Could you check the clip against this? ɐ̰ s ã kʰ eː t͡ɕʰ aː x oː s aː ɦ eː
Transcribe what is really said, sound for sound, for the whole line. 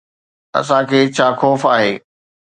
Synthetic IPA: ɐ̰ s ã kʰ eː t͡ɕʰ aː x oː f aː ɦ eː